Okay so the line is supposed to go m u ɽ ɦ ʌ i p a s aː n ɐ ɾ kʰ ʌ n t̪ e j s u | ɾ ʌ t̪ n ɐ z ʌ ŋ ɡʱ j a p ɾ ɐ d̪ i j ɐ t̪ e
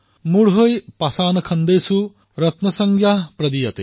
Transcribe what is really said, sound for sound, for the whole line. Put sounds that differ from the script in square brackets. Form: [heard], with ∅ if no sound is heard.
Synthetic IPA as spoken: m u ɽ ɦ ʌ [j] p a s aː n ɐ [∅] kʰ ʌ n [d̪] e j s u | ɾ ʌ t̪ n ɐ [s] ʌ ŋ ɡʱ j a p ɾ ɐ d̪ i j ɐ t̪ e